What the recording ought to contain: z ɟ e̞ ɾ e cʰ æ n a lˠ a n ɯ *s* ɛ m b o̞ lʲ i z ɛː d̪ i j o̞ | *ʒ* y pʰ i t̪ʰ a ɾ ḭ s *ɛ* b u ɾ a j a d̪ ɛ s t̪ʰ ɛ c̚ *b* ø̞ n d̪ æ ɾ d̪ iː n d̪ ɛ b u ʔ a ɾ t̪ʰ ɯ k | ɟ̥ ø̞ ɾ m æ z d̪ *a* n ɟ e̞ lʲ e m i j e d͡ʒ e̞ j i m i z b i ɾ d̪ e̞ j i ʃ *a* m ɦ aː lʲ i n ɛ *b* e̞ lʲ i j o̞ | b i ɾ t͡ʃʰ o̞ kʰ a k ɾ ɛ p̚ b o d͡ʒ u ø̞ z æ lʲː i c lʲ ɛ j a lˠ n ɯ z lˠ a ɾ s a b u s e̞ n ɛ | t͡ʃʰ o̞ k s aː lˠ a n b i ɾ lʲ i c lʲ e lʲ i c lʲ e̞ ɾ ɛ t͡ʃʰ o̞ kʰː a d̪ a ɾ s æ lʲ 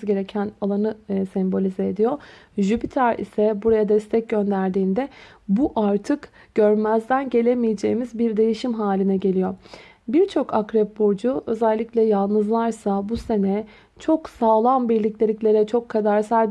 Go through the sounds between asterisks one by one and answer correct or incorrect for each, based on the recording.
correct, correct, correct, incorrect, incorrect, incorrect, incorrect

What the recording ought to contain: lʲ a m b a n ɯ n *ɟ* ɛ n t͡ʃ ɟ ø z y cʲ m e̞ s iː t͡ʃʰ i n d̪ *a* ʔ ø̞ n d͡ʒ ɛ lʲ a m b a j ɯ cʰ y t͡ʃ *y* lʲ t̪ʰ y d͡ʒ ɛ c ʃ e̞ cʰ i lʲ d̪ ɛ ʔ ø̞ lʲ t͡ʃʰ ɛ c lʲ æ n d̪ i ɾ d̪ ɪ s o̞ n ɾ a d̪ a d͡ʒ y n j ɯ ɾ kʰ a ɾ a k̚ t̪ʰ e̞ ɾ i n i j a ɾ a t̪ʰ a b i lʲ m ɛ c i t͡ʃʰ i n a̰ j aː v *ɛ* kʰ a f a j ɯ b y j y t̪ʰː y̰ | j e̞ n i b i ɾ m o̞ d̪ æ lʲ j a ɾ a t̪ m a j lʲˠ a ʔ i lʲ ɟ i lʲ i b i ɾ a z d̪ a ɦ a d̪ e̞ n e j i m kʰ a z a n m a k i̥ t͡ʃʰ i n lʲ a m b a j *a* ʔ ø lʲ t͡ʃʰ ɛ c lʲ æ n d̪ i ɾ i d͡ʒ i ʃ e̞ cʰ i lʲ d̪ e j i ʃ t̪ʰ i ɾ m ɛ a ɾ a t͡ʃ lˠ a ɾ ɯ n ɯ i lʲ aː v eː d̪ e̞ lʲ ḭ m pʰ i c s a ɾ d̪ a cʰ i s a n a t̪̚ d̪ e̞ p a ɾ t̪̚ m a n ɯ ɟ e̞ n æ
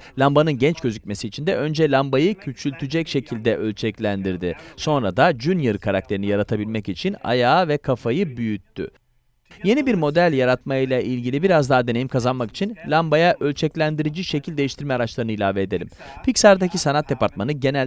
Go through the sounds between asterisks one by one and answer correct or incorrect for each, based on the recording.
correct, incorrect, correct, correct, correct

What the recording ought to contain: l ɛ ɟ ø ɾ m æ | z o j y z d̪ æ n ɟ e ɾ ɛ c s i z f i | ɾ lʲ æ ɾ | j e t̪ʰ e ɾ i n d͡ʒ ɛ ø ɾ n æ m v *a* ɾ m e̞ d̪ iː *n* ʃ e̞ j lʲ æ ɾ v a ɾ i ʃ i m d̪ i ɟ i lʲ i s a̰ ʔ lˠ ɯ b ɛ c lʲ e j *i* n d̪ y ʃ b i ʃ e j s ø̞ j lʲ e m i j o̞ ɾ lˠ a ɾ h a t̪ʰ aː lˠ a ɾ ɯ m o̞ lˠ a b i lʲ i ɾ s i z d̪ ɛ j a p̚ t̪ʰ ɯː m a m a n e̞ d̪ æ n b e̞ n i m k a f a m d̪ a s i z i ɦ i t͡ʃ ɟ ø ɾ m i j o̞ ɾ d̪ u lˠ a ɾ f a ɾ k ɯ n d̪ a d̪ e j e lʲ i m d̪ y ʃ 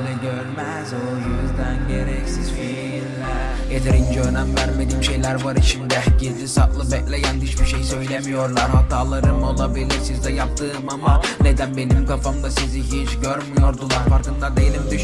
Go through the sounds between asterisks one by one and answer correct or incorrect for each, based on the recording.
incorrect, incorrect, incorrect

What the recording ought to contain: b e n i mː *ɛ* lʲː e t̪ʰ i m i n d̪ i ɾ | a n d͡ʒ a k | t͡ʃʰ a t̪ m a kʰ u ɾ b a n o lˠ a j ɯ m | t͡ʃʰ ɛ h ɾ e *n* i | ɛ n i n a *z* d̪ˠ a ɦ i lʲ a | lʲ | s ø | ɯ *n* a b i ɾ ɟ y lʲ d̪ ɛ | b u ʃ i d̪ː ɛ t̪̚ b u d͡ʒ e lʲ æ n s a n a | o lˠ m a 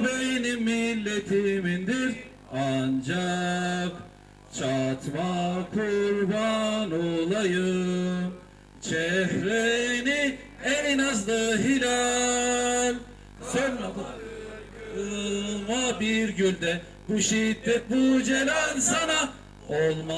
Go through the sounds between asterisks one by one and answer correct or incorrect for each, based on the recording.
incorrect, correct, correct, incorrect

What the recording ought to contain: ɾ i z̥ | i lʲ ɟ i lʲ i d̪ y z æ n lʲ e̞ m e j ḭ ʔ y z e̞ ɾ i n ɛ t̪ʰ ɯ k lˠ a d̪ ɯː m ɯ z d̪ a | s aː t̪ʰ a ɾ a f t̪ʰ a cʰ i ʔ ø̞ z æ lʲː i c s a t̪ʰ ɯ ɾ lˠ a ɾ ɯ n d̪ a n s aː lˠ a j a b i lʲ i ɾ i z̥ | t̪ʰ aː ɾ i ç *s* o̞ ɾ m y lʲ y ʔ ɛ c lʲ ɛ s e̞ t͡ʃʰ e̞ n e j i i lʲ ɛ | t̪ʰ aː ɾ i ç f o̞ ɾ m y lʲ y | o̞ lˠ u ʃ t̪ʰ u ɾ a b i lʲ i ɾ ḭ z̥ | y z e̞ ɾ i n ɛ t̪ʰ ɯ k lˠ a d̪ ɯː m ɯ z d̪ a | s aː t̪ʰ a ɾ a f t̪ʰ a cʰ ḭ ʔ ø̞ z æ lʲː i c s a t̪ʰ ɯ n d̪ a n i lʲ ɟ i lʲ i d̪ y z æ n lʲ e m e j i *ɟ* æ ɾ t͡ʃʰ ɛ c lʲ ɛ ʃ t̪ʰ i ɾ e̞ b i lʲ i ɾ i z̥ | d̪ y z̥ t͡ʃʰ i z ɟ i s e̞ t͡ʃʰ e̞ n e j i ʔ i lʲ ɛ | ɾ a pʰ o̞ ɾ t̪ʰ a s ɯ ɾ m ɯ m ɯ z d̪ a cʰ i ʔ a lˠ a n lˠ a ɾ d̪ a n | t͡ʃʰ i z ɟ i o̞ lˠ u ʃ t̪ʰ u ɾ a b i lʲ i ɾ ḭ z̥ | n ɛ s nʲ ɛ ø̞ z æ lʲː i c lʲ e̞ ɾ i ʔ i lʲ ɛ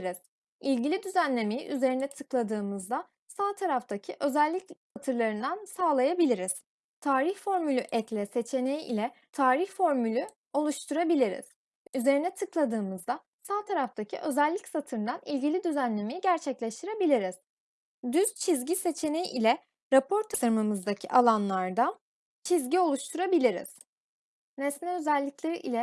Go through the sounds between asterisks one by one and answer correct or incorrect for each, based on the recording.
incorrect, correct

